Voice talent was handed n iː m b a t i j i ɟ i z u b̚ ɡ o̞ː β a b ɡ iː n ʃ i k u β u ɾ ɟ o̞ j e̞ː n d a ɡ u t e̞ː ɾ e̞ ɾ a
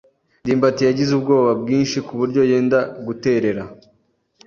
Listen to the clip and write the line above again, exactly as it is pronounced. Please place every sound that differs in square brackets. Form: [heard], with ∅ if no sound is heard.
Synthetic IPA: [d] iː m b a t i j [a] ɟ i z u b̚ ɡ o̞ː β a b ɡ iː n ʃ i k u β u ɾ ɟ o̞ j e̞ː n d a ɡ u t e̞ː ɾ e̞ ɾ a